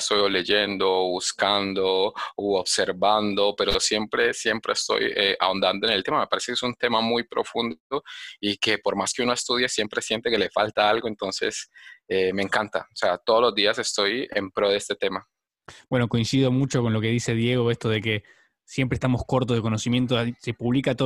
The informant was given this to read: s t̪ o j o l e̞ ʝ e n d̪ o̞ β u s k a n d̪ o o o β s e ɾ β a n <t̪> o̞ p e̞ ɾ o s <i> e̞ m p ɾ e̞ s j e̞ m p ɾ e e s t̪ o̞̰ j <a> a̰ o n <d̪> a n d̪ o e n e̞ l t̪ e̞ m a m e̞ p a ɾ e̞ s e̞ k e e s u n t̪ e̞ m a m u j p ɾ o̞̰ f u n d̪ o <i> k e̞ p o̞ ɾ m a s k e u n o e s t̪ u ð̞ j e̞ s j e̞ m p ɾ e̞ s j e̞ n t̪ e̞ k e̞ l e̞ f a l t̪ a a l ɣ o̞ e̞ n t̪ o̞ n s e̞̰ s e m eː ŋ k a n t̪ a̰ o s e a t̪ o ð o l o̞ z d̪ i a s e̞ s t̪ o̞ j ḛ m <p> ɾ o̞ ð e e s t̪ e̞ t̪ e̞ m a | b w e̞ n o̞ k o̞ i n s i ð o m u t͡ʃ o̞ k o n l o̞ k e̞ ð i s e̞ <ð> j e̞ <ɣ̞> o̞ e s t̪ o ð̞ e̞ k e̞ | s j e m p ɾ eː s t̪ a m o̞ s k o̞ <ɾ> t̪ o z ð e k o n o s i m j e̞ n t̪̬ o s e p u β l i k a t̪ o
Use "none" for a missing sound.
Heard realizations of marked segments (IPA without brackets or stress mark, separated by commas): d̪, j, e, d̪, i, p, ð, ɣ̞, ɾ